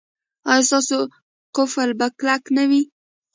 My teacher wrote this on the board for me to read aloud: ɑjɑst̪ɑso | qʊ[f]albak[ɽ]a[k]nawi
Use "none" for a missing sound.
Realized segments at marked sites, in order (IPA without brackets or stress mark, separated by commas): f, l, k